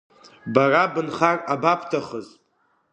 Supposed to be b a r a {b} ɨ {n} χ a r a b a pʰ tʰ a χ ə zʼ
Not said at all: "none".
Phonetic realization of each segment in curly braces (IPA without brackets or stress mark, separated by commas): b, n